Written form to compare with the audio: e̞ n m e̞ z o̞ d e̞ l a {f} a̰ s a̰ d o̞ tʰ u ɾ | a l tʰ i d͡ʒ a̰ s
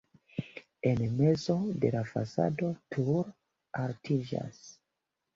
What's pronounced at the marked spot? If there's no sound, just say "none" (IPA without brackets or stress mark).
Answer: f